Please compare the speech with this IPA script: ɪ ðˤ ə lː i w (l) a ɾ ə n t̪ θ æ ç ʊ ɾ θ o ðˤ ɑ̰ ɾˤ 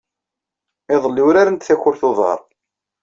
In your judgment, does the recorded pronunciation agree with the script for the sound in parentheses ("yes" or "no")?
no